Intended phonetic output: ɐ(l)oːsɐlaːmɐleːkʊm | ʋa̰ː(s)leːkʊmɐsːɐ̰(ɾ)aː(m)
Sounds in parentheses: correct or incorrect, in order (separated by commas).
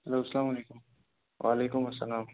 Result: correct, incorrect, incorrect, correct